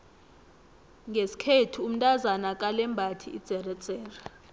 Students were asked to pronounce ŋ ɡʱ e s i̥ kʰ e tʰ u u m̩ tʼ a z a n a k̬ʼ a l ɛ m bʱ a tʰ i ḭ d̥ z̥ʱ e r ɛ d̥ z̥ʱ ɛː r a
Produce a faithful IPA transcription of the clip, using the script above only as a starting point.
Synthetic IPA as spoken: ŋ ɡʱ e s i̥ kʰ e tʰ u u m̩ tʼ a z a n a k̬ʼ a l ɛ m bʱ a tʰ i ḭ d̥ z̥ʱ ɛ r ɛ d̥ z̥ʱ ɛː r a